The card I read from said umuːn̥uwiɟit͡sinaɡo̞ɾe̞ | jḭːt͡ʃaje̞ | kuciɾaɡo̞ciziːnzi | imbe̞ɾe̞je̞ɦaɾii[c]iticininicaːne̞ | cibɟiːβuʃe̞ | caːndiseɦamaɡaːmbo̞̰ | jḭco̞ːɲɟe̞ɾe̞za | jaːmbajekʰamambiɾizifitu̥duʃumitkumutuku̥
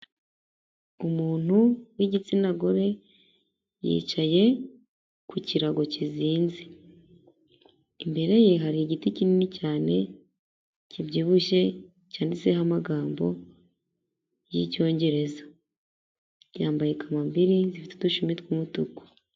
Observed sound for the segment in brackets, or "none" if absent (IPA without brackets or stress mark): ɟ